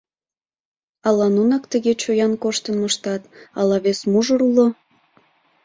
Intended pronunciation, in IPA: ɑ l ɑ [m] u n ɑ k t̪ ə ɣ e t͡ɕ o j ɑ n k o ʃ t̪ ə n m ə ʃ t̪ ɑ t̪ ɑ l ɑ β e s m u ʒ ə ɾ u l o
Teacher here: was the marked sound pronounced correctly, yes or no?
no